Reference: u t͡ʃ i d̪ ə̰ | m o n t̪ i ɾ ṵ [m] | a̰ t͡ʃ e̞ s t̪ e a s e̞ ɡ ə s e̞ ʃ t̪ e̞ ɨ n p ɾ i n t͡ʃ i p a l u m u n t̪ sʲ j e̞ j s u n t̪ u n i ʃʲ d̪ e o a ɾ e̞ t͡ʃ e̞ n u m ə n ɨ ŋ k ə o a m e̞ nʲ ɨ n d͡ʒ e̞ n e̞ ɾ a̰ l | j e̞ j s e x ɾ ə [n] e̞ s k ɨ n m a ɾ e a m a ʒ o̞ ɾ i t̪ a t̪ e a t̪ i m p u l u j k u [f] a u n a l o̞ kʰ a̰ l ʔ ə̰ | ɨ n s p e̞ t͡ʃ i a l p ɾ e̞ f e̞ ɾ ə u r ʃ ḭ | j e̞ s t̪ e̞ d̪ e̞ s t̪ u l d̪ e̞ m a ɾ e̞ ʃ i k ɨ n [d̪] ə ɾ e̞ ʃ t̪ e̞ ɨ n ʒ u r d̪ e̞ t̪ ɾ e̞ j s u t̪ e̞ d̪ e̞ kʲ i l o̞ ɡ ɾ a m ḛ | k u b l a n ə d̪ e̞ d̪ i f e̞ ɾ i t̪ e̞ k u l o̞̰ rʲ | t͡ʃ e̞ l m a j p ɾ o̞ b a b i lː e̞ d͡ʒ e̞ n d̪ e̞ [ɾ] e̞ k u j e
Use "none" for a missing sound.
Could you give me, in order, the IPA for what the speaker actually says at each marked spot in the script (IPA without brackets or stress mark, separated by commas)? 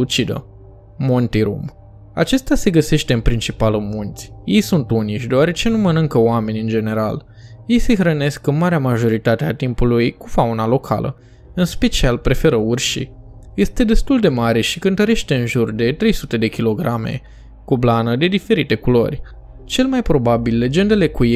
m, n, f, t̪, l